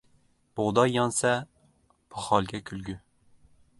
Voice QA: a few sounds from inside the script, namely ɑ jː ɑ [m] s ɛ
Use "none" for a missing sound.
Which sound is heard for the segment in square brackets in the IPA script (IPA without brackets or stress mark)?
n